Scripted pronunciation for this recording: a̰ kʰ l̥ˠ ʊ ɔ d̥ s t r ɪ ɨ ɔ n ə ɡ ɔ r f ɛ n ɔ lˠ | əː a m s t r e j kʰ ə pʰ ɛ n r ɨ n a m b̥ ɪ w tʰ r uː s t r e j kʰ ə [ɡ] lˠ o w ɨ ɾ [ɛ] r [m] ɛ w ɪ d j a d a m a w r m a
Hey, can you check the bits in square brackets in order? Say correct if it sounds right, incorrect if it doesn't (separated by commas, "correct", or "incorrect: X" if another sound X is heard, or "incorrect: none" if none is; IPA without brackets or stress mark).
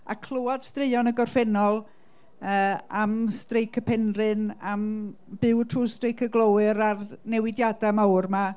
correct, incorrect: a, incorrect: n